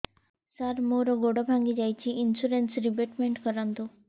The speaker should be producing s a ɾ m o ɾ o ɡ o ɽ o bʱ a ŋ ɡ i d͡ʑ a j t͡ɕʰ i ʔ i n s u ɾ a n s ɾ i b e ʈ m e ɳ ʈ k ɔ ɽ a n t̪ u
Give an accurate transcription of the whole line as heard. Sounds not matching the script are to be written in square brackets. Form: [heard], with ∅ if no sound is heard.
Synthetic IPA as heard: s a ɾ m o ɾ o ɡ o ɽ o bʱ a ŋ ɡ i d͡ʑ a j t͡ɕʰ i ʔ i n s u ɾ [e] n s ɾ i b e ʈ m e ɳ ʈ k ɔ [ɾ] a n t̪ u